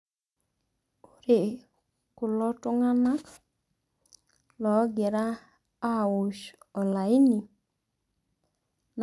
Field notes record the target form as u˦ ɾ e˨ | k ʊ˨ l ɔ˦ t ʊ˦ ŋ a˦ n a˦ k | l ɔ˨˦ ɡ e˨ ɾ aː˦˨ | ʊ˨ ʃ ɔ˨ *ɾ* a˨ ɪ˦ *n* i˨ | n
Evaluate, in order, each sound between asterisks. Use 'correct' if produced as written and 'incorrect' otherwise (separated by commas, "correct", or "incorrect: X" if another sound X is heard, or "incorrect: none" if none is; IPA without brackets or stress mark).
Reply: incorrect: l, correct